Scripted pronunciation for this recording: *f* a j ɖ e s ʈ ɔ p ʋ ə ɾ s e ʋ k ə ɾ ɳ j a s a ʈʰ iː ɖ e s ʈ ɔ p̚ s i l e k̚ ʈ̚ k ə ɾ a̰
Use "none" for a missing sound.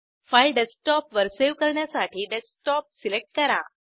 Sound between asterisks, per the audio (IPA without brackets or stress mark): f